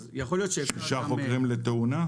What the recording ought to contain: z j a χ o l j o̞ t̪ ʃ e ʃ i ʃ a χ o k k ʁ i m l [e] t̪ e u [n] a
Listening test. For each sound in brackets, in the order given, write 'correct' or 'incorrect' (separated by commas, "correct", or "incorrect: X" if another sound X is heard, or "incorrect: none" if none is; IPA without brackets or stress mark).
correct, correct